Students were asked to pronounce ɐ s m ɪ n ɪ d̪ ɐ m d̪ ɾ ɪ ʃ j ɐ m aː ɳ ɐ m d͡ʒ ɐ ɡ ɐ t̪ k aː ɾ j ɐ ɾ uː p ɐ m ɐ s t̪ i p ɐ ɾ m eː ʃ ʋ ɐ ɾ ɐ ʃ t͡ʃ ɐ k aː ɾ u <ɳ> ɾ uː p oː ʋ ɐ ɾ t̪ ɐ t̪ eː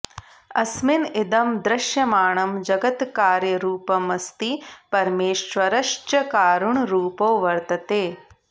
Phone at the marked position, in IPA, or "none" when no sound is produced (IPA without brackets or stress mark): ɳ